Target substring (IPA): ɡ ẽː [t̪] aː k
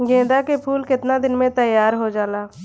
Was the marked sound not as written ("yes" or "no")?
yes